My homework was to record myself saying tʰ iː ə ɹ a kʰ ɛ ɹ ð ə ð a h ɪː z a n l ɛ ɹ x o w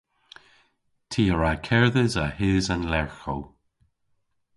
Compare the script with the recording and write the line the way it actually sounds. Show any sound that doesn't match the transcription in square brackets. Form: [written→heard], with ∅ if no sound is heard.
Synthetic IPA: tʰ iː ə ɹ a kʰ ɛ ɹ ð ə [ð→z] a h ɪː z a n l ɛ ɹ x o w